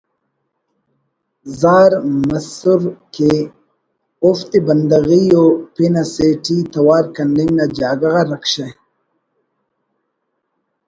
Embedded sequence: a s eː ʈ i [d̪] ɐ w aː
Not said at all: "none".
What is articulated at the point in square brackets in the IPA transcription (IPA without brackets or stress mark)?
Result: t̪